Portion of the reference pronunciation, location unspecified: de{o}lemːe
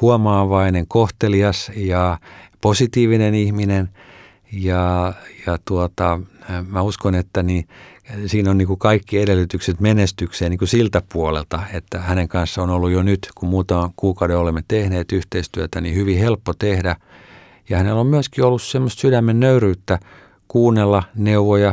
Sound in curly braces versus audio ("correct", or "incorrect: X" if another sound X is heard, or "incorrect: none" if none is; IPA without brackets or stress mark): correct